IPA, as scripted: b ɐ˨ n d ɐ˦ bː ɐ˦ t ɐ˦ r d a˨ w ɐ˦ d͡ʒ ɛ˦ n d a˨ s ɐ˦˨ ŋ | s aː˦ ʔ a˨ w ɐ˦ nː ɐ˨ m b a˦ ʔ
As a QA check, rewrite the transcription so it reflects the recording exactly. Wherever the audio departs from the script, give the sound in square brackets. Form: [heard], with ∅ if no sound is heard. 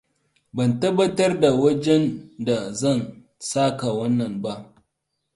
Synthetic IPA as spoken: b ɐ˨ n [t] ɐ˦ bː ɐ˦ t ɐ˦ r d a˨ w ɐ˦ d͡ʒ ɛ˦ n d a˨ [z] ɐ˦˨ [n] | s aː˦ [k] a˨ w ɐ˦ nː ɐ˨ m b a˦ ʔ

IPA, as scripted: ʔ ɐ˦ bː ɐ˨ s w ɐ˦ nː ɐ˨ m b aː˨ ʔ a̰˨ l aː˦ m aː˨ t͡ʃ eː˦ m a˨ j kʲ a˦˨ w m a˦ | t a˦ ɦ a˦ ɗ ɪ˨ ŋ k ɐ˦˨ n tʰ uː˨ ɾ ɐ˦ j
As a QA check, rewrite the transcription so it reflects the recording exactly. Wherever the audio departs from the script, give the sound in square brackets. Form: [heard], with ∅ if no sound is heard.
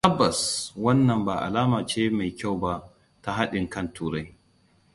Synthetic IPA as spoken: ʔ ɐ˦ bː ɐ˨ s w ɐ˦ nː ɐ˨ m b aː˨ ʔ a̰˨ l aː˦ m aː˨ t͡ʃ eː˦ m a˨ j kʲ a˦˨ w [b] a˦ | t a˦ ɦ a˦ ɗ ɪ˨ ŋ k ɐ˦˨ n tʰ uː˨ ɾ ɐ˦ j

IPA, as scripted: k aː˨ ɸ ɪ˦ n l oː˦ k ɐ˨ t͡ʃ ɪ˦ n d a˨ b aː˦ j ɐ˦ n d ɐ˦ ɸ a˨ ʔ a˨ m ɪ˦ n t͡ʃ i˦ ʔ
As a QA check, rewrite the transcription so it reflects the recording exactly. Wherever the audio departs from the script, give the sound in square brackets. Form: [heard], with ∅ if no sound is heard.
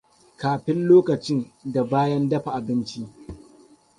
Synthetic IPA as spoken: k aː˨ ɸ ɪ˦ n l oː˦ k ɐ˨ t͡ʃ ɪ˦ n d a˨ b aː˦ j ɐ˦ n d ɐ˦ ɸ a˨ ʔ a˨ [b] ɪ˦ n t͡ʃ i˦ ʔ

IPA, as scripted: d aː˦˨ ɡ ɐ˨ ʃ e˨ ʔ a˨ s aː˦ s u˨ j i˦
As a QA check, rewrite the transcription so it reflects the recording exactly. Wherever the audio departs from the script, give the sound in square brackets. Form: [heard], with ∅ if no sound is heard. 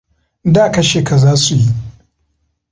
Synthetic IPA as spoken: d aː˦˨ [k] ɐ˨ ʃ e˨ [k] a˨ [z] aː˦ s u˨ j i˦

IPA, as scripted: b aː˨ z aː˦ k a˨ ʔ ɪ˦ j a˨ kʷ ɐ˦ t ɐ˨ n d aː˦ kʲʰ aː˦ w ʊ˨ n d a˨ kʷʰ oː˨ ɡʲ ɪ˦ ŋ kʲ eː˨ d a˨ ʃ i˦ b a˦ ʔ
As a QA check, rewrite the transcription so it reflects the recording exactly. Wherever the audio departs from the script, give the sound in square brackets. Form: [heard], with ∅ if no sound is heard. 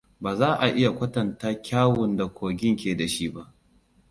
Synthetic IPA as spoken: b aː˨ z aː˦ [ʔ] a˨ ʔ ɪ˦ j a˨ kʷ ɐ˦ t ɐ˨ n [t] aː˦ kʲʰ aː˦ w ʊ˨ n d a˨ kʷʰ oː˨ ɡʲ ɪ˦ ŋ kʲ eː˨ d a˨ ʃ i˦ b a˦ ʔ

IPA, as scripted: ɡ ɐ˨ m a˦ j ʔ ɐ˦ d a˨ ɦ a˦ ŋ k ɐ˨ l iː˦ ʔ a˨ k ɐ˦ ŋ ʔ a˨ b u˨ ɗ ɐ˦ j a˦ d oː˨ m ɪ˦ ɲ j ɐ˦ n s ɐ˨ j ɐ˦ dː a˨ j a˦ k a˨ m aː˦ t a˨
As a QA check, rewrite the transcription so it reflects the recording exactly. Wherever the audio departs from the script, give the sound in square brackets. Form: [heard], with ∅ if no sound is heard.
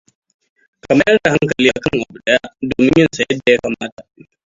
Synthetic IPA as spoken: [k] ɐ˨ m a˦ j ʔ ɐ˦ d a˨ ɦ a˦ ŋ k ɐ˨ l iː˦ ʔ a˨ k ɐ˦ ŋ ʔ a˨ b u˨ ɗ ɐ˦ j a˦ d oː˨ m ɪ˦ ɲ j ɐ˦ n s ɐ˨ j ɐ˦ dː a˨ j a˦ k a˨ m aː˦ t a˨

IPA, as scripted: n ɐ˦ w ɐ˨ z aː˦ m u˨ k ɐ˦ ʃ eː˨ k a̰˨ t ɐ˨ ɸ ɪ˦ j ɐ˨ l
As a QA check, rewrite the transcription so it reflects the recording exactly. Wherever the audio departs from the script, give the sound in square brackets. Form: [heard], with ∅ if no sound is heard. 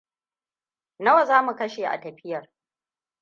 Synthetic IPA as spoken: n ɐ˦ w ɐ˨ z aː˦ m u˨ k ɐ˦ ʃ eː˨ [ʔ] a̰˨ t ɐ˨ ɸ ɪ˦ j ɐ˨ [r]

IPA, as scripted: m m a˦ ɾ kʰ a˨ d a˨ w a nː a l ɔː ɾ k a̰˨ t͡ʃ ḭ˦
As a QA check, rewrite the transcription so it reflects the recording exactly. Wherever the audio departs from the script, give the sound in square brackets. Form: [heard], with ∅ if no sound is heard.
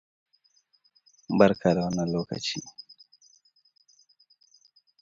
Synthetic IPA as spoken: m [b] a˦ ɾ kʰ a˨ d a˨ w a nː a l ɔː [∅] k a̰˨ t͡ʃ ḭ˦

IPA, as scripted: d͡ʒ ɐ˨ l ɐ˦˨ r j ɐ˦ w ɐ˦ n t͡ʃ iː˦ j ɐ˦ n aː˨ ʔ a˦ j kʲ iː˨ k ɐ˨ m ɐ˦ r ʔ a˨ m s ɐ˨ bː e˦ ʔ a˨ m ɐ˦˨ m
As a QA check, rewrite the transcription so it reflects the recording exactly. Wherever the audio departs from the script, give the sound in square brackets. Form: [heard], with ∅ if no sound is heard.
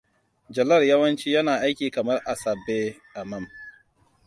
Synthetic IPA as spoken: d͡ʒ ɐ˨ l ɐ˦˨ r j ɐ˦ w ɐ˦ n t͡ʃ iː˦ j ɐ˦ n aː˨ ʔ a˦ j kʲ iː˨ k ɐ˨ m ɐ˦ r ʔ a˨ [∅] s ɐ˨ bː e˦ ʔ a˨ m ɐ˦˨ m

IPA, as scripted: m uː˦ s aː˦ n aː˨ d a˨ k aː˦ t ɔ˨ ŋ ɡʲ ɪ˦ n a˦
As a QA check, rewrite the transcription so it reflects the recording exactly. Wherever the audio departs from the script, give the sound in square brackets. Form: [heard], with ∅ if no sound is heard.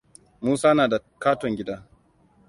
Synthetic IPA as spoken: m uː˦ s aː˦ n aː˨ d a˨ k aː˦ t ɔ˨ ŋ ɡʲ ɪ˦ [d] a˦

